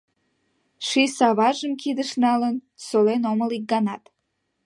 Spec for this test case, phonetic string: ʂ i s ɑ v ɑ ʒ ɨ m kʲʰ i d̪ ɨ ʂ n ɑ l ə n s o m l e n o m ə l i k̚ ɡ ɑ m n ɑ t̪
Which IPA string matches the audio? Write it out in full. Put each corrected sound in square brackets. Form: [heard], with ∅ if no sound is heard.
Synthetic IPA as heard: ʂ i s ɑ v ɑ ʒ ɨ m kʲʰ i d̪ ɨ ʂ n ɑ l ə n s o [∅] l e n o m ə l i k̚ ɡ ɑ [∅] n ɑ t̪